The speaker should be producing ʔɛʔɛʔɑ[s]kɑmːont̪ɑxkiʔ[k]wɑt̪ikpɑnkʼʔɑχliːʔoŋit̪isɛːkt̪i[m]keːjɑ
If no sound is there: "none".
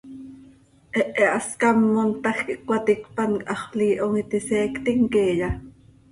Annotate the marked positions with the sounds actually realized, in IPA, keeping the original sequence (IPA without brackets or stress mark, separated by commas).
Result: s, k, ŋ